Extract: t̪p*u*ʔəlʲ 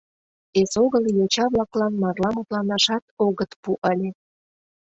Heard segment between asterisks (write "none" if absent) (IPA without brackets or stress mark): u